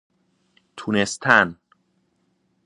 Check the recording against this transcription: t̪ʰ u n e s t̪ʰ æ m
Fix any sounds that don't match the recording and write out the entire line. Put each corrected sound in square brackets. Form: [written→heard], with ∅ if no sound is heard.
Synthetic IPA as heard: t̪ʰ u n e s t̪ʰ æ [m→n]